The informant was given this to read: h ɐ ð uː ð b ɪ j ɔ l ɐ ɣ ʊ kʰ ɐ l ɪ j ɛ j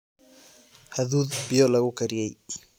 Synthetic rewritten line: h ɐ ð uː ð b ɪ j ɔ l ɐ ɣ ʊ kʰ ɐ ɾ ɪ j ɛ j